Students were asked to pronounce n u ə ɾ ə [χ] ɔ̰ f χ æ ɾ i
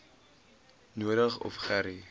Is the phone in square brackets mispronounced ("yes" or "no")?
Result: no